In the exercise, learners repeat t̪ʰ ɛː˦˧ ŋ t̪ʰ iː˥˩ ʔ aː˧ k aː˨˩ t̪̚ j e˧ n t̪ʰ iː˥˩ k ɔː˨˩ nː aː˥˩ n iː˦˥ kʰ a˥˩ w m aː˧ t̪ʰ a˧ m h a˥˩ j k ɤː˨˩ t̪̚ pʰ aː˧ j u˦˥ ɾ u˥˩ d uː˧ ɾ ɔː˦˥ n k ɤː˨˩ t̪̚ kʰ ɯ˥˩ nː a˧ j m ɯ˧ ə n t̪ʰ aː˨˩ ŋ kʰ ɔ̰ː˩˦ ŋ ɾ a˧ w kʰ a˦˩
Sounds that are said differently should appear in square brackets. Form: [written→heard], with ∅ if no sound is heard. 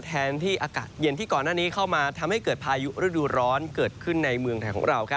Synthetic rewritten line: t̪ʰ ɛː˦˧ [ŋ→n] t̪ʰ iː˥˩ ʔ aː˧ k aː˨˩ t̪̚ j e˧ n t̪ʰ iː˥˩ k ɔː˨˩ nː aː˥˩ n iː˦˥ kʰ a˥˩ w m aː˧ t̪ʰ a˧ m h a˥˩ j k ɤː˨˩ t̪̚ pʰ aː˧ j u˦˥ ɾ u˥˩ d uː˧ ɾ ɔː˦˥ n k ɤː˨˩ t̪̚ kʰ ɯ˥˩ nː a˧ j m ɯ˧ ə [n→ŋ] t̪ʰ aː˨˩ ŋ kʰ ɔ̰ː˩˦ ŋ ɾ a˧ w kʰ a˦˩